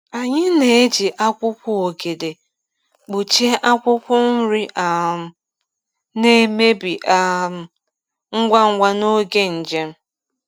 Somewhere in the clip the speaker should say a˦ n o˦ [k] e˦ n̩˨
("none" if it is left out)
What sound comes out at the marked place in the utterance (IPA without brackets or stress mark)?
ɡ